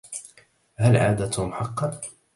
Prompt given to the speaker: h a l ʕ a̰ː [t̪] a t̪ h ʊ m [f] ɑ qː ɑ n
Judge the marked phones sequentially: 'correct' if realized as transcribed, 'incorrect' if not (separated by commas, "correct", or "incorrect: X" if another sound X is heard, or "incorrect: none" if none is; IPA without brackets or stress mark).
incorrect: d̪, incorrect: ħ